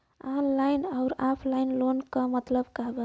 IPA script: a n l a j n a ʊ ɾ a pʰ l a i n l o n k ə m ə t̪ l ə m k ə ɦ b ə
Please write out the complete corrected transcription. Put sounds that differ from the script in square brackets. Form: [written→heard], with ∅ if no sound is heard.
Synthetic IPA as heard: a n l a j n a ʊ ɾ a pʰ l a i n l o n k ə m ə t̪ l ə [m→b] k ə ɦ b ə